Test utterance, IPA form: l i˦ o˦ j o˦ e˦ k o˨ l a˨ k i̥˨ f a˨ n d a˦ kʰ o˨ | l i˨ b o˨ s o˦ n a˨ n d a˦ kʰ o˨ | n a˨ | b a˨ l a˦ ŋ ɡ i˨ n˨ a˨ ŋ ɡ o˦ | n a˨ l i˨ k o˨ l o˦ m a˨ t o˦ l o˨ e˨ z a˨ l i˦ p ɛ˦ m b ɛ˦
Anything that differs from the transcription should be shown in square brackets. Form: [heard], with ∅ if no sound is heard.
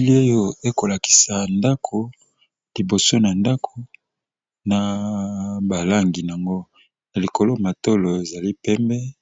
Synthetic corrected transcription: l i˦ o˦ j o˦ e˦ k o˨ l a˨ k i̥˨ [s] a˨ n d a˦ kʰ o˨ | l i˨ b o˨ s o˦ n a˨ n d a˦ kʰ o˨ | n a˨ | b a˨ l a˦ ŋ ɡ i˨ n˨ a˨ ŋ ɡ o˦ | n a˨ l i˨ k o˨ l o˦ m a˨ t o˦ l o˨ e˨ z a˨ l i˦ p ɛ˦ m b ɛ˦